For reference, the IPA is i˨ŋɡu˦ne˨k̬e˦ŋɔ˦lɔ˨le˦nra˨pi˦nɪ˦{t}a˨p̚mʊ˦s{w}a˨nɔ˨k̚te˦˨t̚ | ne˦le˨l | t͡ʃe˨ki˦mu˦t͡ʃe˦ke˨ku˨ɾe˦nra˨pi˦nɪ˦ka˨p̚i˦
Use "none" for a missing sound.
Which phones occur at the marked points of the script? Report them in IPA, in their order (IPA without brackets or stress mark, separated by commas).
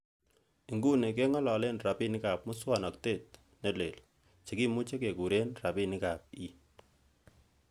k, w